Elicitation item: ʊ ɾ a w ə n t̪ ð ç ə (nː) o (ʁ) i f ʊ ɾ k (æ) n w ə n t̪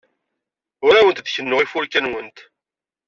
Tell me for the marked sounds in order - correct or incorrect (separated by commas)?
correct, correct, correct